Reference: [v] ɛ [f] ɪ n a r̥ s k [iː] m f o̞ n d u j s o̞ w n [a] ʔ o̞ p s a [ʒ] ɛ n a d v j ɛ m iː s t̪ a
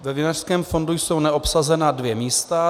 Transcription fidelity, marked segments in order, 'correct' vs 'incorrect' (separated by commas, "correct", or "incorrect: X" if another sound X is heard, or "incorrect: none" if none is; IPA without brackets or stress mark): correct, incorrect: v, incorrect: ɛː, incorrect: ɛ, incorrect: z